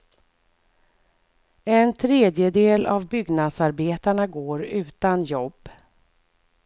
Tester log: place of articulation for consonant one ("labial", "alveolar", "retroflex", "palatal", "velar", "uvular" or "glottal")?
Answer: alveolar